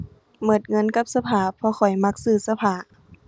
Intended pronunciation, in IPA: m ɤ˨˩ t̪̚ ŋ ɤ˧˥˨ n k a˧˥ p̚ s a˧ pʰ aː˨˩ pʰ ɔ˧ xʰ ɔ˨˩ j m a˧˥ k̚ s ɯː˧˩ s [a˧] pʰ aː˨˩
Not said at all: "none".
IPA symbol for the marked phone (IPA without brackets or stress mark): a˧